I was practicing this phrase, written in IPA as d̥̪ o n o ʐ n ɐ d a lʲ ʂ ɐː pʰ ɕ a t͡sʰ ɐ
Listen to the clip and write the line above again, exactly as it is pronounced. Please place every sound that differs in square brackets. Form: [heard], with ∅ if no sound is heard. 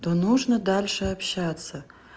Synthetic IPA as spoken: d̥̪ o n [u] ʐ n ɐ d a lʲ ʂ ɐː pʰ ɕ a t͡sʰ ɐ